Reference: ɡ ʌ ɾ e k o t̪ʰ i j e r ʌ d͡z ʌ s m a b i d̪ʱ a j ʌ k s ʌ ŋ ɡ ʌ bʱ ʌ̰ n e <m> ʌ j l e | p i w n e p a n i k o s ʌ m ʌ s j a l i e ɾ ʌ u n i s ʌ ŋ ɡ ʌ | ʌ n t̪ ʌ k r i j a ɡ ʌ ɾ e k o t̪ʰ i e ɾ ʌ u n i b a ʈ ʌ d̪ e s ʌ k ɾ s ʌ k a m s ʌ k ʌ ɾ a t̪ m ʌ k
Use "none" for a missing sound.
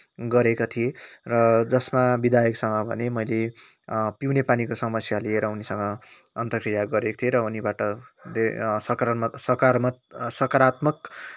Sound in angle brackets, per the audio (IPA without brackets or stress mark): m